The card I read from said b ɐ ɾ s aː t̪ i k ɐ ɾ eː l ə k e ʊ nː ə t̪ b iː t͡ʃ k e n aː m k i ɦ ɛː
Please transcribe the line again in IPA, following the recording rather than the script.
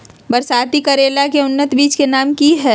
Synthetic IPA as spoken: b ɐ ɾ s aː t̪ i k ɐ ɾ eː l a k e ʊ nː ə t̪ b iː t͡ʃ k e n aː m k i ɦ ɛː